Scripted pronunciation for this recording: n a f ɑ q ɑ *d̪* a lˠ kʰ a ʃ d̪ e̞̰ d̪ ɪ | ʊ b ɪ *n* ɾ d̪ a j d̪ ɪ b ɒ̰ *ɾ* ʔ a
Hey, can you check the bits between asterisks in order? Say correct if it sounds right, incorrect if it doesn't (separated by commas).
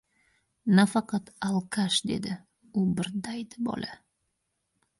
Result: incorrect, incorrect, incorrect